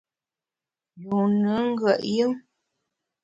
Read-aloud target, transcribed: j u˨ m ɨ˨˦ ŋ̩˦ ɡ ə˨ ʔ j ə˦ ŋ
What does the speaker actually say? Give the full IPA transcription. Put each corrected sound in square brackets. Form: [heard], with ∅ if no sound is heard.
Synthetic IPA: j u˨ [n] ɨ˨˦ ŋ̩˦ ɡ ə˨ ʔ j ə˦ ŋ